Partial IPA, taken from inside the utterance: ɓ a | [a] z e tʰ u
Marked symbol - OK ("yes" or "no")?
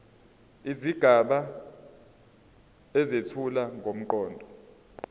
no